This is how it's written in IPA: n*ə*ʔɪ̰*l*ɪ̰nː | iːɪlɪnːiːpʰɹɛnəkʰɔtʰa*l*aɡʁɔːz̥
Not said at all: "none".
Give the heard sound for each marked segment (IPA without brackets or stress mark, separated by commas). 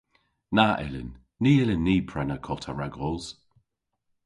a, l, ɹ